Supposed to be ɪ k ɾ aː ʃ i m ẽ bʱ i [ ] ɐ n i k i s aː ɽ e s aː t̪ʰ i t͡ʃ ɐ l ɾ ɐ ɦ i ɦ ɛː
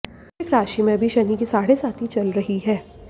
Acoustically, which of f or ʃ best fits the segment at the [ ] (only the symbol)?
ʃ